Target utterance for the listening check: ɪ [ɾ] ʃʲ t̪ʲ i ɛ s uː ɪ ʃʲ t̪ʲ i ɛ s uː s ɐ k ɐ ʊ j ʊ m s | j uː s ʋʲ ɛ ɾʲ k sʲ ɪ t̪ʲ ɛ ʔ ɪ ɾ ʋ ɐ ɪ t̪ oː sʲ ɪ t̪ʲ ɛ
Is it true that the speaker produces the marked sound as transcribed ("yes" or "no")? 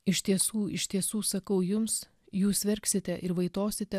no